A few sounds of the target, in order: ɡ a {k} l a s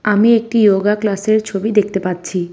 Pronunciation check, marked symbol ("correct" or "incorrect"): correct